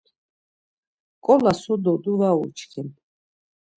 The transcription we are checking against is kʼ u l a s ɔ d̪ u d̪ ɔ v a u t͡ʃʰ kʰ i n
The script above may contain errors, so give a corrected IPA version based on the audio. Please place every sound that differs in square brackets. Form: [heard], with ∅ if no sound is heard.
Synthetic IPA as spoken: kʼ [ɔ] l a s ɔ d̪ [ɔ] d̪ [u] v a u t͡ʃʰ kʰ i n